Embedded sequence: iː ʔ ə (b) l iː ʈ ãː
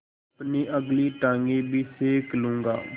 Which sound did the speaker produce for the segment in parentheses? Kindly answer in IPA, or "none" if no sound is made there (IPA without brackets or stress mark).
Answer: ɡ